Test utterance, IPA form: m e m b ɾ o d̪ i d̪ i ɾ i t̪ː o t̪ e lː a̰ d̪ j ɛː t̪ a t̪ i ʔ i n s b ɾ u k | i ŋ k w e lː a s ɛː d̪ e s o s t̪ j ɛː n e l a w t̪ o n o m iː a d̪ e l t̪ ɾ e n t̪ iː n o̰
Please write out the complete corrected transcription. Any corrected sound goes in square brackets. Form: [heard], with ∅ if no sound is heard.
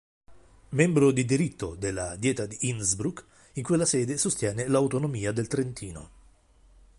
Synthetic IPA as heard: m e m b ɾ o d̪ i d̪ i ɾ i t̪ː o [d̪] e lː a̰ d̪ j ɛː t̪ a [d̪] i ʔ i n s b ɾ u k | i ŋ k w e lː a s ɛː d̪ e s o s t̪ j ɛː n e l a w t̪ o n o m iː a d̪ e l t̪ ɾ e n t̪ iː n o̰